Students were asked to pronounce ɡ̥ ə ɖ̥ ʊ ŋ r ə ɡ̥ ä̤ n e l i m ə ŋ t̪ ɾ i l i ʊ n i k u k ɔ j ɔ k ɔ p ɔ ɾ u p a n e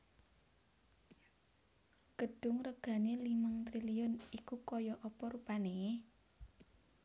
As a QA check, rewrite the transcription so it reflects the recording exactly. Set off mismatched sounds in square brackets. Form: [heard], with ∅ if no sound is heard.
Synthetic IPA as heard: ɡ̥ ə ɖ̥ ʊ ŋ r ə ɡ̥ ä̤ n e l i m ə ŋ t̪ ɾ i l i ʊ n i k u k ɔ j ɔ [ʔ] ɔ p ɔ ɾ u p a n e